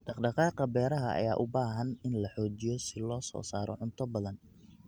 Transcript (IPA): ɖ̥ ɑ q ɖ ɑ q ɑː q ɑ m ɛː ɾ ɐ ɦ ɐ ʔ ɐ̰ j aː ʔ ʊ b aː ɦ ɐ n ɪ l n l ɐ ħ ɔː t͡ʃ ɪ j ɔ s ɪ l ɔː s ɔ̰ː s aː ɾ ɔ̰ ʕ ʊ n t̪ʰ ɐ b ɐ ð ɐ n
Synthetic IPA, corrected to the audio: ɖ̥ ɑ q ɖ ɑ q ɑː q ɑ b ɛː ɾ ɐ ɦ ɐ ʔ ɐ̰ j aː ʔ ʊ b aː ɦ ɐ n ɪ n l ɐ ħ ɔː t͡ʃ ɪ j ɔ s ɪ l ɔː s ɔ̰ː s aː ɾ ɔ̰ ʕ ʊ n t̪ʰ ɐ b ɐ ð ɐ n